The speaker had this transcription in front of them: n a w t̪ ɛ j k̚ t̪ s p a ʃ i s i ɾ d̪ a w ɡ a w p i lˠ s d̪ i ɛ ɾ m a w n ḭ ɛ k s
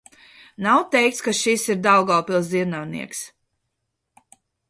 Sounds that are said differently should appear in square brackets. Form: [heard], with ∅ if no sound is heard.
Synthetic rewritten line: n a w t̪ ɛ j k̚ t̪ s [k] a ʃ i s i ɾ d̪ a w ɡ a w p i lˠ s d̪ i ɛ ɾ [n] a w n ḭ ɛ k s